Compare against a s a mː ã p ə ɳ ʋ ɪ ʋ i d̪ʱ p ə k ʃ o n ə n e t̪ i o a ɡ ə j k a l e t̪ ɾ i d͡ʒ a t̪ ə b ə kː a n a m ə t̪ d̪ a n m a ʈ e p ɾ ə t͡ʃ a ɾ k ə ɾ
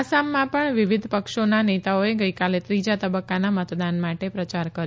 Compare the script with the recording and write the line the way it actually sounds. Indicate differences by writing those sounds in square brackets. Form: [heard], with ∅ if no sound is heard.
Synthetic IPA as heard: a s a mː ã p ə ɳ ʋ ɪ ʋ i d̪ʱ p ə k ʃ o n [a] n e t̪ [a] o [e] ɡ ə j k a l e t̪ ɾ i d͡ʒ a t̪ ə b ə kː a n a m ə t̪ d̪ a n m a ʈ e p ɾ ə t͡ʃ a ɾ k ə ɾ